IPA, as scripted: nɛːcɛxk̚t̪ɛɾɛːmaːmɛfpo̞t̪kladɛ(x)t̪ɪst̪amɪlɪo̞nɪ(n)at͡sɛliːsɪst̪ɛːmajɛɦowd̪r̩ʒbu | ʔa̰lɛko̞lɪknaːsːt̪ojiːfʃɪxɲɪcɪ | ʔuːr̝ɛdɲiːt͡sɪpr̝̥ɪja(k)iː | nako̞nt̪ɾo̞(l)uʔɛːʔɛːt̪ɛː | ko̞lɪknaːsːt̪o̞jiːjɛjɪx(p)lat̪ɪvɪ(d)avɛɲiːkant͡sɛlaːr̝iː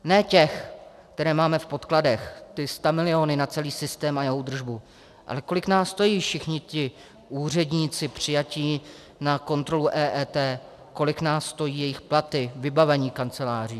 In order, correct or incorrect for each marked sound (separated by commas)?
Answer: correct, correct, incorrect, correct, correct, incorrect